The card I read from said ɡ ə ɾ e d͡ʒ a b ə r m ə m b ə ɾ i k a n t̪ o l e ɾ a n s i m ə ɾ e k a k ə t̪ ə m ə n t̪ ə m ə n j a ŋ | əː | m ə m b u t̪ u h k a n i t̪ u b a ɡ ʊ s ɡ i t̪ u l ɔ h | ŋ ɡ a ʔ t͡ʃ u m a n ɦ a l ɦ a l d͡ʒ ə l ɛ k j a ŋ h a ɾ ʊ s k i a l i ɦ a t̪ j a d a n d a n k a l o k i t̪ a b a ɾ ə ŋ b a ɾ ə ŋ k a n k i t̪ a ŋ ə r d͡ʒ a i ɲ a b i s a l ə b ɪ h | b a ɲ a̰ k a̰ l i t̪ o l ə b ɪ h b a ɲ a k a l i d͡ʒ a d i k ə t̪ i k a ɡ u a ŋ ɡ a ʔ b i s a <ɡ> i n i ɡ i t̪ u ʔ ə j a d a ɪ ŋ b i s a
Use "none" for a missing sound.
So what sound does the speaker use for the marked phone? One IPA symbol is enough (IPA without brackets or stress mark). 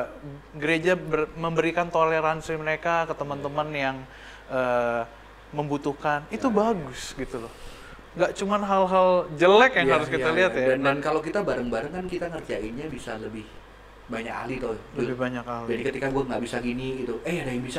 ɡ